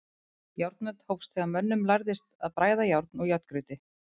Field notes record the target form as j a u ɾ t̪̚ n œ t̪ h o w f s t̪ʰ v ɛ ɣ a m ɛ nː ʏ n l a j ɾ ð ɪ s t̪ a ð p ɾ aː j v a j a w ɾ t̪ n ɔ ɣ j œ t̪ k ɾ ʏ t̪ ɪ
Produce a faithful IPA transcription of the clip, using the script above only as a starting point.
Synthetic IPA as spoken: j a w ɾ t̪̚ n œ t̪ h o w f s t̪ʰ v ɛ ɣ a m œ nː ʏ m l a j ɾ ð ɪ s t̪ a ð p ɾ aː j ð a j a w ɾ t̪ n ɔ ɣ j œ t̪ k ɾ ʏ t̪ ɪ